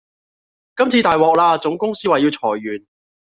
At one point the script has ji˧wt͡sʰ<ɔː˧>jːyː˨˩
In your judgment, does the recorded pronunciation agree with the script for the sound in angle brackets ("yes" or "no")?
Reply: no